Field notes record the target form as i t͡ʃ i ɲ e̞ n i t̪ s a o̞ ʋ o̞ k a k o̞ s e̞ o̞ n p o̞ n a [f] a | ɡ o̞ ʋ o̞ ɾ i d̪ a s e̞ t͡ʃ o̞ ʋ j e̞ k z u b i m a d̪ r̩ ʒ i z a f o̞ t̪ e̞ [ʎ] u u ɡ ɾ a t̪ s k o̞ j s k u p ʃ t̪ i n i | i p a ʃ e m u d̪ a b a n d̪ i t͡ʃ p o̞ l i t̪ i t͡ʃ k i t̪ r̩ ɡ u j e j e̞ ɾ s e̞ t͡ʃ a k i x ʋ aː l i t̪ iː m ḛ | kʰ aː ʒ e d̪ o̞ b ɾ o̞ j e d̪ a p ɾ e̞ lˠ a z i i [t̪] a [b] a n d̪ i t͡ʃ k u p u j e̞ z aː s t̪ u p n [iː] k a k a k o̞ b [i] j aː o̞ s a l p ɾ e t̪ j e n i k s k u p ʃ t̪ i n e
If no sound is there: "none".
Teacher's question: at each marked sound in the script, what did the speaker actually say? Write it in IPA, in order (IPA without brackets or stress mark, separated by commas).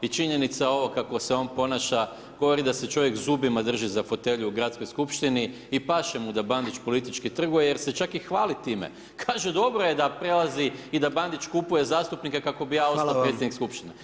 ʃ, ʎ, d̪, b, i, i